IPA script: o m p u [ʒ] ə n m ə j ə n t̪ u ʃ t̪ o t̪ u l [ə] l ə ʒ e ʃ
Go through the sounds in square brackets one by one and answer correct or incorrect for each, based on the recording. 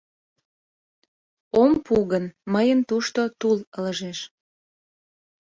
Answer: incorrect: ɣ, correct

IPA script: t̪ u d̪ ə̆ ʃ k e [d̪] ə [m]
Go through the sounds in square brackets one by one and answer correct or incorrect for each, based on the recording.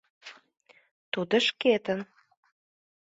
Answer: incorrect: t̪, incorrect: n

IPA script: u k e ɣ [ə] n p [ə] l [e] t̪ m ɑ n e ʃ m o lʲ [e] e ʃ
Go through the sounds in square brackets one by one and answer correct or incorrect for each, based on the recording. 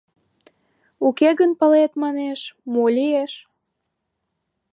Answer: correct, correct, correct, incorrect: i

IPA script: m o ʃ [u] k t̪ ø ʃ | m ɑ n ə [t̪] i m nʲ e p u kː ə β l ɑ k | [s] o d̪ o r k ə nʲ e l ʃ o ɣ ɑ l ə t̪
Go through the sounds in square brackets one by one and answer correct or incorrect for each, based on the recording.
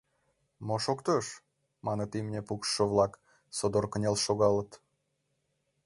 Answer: incorrect: o, correct, correct

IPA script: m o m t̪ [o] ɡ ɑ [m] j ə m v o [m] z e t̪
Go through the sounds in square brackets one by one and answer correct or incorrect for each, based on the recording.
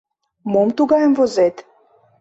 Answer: incorrect: u, incorrect: none, incorrect: none

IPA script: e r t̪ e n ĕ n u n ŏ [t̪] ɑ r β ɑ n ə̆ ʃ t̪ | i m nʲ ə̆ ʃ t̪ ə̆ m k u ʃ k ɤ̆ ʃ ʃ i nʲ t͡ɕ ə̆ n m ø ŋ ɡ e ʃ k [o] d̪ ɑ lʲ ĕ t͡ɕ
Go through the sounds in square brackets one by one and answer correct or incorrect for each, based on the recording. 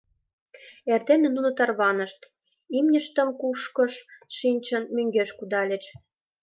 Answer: correct, incorrect: u

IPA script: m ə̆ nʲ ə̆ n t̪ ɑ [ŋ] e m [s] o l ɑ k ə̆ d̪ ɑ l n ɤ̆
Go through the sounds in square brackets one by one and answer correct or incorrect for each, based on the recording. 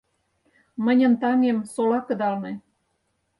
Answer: correct, correct

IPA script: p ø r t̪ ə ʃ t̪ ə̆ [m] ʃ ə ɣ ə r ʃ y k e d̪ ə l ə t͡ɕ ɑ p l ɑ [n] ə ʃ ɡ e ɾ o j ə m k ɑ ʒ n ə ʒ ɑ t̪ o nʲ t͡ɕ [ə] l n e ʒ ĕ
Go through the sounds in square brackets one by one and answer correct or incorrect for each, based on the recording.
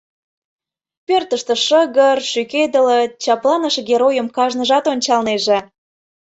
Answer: incorrect: none, correct, incorrect: ɑ

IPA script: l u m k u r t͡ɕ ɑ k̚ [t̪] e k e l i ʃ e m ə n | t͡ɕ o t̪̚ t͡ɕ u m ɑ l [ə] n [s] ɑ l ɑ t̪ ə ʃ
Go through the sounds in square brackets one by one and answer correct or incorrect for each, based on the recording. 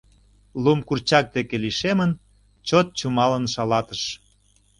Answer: incorrect: d̪, correct, incorrect: ʃ

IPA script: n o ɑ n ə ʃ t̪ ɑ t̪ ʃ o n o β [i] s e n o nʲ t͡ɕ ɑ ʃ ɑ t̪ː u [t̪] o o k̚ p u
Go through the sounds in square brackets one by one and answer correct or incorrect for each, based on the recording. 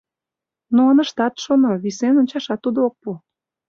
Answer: correct, incorrect: d̪

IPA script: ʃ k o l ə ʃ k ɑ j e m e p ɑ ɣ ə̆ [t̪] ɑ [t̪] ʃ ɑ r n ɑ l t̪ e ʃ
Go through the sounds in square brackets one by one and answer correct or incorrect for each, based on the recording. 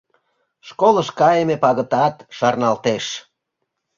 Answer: correct, correct

